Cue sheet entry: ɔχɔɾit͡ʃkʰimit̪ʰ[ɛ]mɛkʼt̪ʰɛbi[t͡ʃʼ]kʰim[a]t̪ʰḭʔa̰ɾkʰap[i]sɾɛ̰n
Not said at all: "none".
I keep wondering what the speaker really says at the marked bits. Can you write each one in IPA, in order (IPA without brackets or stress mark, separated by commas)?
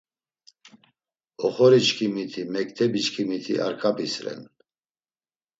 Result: i, t͡ʃ, i, i